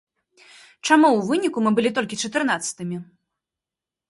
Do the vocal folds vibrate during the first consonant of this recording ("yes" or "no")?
no